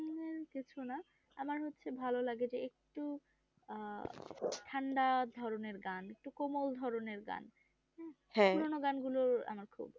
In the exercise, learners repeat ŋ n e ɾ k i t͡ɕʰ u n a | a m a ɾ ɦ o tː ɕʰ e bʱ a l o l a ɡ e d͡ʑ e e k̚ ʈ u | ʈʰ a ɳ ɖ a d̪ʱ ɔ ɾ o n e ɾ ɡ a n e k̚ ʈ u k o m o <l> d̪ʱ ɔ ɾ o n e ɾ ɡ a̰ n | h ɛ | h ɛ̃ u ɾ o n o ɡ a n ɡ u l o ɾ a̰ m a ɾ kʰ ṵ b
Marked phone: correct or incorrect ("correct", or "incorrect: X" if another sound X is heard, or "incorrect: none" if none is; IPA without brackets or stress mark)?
correct